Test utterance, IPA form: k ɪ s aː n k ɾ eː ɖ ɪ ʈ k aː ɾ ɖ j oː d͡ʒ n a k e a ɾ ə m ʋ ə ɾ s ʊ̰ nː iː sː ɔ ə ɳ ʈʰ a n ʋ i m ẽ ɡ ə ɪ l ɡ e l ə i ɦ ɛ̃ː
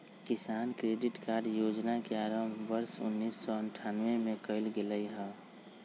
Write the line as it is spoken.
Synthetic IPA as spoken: k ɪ s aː n k ɾ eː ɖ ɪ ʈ k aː ɾ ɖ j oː d͡ʒ n a k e a ɾ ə m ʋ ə ɾ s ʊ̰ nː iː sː ɔ ə ɳ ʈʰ a n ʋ e m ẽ k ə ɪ l ɡ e l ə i ɦ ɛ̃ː